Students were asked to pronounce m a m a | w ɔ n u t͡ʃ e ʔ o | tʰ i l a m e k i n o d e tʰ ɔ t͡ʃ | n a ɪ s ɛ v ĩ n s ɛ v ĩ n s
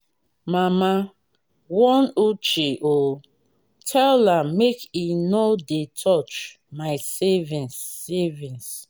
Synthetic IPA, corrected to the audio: m a m a | w ɔ n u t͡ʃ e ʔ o | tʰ ɛ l a m e k i n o d e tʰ ɔ t͡ʃ | m a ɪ s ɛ v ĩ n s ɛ v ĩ n s